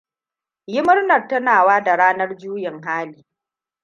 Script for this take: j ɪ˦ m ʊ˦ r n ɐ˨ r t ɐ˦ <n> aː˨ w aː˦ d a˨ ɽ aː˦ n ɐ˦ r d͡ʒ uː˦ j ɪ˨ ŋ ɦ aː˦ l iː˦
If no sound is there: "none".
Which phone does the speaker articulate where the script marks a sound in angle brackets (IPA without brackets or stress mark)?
n